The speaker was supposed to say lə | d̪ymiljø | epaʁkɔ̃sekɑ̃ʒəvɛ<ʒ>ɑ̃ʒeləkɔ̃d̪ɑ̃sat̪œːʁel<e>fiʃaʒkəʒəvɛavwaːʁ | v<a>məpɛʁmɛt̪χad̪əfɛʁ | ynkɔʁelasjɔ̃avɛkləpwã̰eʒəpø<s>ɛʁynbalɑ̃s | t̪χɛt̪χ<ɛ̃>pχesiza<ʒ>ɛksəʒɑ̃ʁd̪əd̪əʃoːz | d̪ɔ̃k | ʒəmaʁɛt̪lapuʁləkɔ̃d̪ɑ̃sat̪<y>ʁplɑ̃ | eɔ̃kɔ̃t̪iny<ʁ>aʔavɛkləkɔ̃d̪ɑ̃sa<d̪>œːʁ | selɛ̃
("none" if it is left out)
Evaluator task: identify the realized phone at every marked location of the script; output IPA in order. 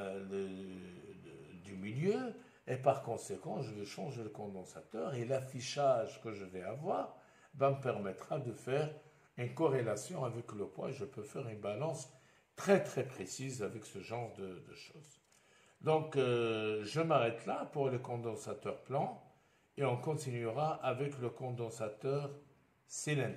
ʃ, a, a, f, ɛ, v, œ, ʁ, t̪

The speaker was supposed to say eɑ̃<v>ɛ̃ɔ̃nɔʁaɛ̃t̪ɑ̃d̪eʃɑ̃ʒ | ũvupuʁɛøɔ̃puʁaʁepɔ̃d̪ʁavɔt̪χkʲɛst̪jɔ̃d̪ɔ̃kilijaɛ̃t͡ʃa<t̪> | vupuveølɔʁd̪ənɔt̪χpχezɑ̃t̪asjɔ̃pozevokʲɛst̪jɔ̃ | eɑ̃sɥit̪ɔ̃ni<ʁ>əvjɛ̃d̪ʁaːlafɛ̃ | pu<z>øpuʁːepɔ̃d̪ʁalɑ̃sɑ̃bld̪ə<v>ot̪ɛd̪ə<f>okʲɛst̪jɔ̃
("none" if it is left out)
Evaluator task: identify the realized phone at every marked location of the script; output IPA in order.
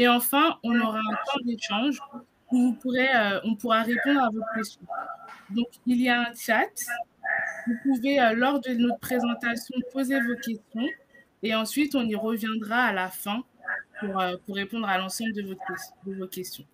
f, t̪, ʁ, ʁ, v, v

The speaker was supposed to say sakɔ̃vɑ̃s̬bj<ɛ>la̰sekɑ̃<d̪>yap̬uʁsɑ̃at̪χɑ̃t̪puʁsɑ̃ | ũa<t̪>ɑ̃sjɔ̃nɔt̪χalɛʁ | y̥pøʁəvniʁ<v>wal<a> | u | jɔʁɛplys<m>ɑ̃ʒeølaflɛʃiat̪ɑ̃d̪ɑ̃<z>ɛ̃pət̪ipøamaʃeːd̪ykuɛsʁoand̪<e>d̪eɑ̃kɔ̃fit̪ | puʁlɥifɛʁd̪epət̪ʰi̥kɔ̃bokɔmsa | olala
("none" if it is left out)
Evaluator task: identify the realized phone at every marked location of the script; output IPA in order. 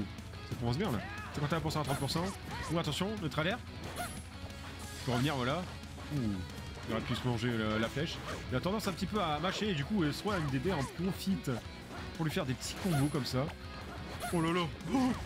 ɛ̃, t̪, t̪, v, a, m, s, e

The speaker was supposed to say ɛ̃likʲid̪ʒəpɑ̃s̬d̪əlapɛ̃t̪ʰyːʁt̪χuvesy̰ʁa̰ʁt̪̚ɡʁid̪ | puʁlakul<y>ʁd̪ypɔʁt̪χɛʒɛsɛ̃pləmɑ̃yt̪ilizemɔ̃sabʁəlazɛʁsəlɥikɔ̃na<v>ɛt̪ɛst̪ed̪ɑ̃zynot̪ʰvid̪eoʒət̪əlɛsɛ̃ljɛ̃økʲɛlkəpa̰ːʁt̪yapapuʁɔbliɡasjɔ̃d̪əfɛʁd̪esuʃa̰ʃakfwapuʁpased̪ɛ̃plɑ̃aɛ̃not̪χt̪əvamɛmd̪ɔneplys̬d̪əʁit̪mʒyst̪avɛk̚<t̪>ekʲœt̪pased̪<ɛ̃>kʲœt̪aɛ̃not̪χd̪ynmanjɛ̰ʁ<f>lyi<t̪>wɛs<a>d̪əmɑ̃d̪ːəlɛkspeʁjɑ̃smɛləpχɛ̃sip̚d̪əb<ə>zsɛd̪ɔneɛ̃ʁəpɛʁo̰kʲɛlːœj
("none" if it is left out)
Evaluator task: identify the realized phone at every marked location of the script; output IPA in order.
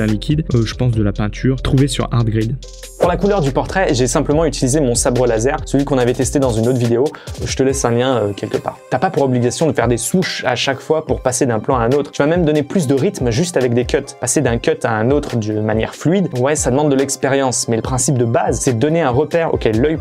œ, v, d̪, ɛ̃, f, d̪, a, a

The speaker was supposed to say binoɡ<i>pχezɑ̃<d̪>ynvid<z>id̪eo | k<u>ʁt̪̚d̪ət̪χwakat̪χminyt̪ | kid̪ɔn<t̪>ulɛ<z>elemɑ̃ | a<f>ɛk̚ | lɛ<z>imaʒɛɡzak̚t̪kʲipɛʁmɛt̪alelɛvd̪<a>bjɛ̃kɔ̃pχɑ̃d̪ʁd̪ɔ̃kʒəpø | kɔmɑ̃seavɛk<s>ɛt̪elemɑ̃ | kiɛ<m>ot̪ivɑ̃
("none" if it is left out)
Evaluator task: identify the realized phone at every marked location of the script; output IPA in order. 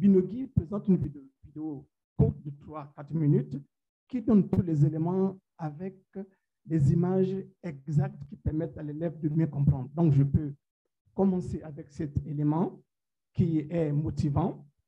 i, t̪, v, u, t̪, z, v, z, ə, s, m

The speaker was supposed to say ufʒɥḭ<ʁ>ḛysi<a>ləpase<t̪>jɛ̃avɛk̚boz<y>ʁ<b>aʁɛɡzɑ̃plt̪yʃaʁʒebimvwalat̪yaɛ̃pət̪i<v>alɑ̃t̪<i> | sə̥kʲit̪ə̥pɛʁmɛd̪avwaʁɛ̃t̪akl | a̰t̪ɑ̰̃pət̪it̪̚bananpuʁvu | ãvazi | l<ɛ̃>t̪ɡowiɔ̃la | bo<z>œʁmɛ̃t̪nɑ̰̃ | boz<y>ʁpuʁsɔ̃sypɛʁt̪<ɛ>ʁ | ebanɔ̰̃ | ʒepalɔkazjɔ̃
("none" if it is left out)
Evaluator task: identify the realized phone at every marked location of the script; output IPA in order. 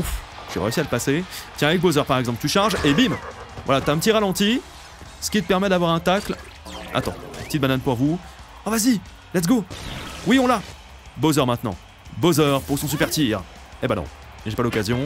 ʁ, a, t̪, œ, p, ʁ, i, ɛ, z, œ, i

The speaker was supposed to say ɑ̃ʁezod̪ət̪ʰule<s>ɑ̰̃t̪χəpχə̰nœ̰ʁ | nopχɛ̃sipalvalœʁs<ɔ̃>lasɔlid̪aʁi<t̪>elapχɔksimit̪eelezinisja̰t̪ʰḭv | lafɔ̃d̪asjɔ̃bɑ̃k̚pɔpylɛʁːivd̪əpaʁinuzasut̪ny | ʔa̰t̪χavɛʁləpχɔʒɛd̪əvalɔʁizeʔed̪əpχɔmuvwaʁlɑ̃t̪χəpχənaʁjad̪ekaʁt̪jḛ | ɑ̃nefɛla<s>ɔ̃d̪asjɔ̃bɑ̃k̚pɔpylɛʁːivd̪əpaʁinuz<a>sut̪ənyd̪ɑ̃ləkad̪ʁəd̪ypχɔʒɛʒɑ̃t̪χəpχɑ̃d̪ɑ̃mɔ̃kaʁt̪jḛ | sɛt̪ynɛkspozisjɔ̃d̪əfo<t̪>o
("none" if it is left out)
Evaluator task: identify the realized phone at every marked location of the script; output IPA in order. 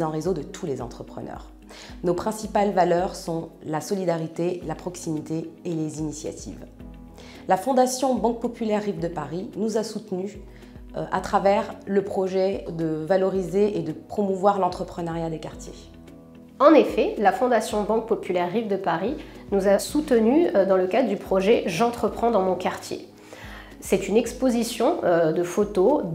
z, ɔ̃, t̪, f, a, t̪

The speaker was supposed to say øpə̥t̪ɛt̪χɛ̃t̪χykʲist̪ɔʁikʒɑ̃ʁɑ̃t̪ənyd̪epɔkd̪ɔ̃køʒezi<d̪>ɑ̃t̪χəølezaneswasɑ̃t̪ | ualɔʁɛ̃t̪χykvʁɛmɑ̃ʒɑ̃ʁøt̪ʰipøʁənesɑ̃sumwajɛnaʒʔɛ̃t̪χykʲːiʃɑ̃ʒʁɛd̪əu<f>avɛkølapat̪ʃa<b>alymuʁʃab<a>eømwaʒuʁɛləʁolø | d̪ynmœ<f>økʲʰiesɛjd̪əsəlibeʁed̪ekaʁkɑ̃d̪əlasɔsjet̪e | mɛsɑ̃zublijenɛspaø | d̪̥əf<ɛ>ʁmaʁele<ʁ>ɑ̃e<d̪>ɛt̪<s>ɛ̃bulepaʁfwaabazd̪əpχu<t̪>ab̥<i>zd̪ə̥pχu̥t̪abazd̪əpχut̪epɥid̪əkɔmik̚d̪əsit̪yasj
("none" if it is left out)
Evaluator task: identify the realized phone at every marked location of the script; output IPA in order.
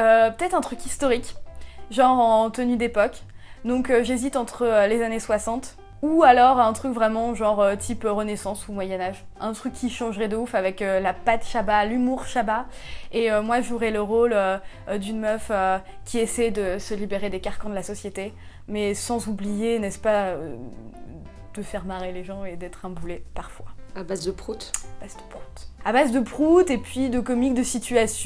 t̪, f, b, a, f, ɛ, ʒ, d̪, χ, t̪, a

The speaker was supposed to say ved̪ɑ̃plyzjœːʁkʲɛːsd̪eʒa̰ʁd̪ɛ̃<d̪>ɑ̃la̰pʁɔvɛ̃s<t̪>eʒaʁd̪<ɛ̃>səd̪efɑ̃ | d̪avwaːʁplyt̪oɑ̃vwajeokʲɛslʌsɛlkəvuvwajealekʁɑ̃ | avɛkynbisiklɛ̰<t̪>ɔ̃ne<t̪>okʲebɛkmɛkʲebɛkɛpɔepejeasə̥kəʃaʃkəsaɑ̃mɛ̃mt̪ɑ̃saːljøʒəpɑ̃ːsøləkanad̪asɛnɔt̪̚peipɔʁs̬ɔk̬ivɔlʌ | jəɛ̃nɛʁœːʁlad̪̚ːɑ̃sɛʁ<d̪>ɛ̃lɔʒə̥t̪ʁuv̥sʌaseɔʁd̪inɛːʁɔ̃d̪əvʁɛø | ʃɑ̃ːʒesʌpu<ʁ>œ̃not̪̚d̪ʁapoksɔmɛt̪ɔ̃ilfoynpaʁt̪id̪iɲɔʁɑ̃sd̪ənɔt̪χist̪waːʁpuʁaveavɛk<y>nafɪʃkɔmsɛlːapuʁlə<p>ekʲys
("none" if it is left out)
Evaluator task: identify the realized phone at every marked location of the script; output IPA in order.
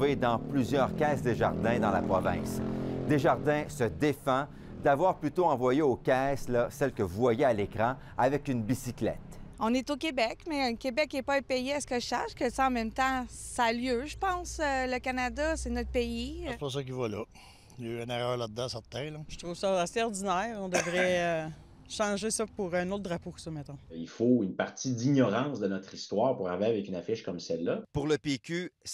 d̪, d̪, ɛ̃, t̪, t̪, t̪, ʁ, y, p

